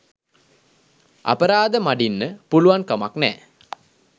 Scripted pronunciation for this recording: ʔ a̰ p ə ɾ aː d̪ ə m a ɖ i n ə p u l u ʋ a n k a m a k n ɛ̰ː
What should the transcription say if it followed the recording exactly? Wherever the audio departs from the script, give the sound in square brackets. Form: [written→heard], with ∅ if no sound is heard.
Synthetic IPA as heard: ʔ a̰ p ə ɾ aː d̪ ə m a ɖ i [n→nː] ə p u l u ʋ a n k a m a k n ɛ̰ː